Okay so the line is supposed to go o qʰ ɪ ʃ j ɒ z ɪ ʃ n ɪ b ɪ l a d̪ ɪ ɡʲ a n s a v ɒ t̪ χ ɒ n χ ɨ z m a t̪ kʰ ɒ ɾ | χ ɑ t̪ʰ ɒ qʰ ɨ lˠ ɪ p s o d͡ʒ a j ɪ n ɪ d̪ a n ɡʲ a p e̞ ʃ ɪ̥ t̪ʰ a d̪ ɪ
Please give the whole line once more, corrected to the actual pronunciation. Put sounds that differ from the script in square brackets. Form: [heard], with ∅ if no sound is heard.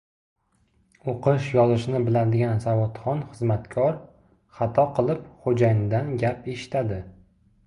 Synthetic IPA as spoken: o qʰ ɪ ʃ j ɒ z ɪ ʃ n ɪ b ɪ l a d̪ ɪ ɡʲ a n s a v ɒ t̪ χ ɒ n χ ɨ z m a t̪ kʰ ɒ ɾ | χ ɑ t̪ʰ ɒ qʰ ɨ lˠ ɪ p [χ] o d͡ʒ a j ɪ n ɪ d̪ a n ɡʲ a p e̞ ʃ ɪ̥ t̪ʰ a d̪ ɪ